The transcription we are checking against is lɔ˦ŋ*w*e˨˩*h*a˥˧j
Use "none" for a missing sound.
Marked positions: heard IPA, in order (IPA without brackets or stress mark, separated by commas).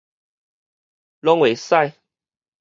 w, s